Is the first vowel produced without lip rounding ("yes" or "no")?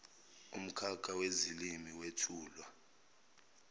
no